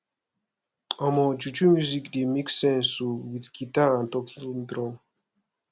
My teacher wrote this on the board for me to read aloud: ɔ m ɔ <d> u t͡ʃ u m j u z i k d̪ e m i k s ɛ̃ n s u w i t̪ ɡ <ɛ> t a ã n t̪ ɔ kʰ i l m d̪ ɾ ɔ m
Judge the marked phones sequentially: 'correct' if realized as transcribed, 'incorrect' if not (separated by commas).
incorrect, incorrect